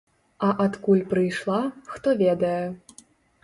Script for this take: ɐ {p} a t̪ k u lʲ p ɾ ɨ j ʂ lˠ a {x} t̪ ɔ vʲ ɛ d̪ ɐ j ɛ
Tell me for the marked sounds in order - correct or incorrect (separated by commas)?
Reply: incorrect, correct